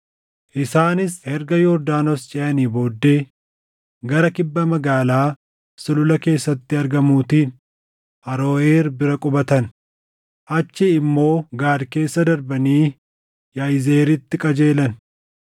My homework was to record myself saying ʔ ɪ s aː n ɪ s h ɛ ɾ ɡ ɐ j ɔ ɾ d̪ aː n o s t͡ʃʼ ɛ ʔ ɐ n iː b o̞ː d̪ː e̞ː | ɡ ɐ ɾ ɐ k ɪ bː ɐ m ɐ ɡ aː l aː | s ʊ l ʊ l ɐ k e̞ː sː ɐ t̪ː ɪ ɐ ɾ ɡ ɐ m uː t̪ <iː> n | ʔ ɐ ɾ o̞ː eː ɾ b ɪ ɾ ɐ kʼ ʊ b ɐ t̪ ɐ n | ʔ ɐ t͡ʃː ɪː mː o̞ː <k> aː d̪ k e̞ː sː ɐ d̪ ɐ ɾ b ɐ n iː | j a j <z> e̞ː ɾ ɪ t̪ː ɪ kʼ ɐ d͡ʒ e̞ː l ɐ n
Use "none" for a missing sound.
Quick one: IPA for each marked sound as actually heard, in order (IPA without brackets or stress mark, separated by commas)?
iː, ɡ, z